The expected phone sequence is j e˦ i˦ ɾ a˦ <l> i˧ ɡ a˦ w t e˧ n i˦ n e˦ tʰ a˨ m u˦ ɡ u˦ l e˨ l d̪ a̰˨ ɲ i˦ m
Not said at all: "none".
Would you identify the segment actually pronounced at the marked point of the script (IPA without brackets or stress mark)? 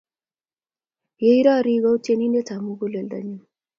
ɾ